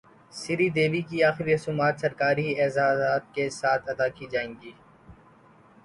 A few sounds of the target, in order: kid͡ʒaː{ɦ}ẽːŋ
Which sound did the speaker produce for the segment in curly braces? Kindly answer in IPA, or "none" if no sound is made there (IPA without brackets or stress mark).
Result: none